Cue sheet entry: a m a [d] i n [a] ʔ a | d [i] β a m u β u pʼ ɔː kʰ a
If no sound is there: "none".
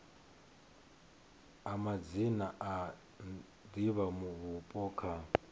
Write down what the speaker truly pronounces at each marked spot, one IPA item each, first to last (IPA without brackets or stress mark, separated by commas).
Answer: d͡z, a, i